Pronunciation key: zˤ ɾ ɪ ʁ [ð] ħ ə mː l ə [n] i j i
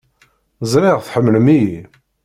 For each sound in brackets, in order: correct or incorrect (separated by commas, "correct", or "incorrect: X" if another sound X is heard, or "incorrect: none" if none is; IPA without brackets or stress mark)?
incorrect: θ, incorrect: m